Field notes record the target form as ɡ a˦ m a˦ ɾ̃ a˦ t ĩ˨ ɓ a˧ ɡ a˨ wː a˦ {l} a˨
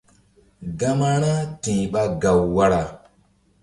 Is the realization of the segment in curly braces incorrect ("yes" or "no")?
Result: yes